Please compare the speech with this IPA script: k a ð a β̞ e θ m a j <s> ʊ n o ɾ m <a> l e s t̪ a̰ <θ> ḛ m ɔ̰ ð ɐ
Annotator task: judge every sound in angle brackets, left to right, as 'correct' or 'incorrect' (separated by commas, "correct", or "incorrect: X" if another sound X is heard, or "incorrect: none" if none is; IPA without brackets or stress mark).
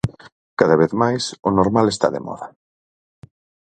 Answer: correct, correct, incorrect: ð